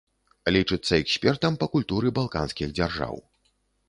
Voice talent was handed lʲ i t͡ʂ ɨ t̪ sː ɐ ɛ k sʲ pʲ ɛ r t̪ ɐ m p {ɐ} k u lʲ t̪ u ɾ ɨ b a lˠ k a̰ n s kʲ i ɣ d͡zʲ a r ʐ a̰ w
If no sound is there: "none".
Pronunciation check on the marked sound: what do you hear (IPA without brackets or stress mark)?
ɐ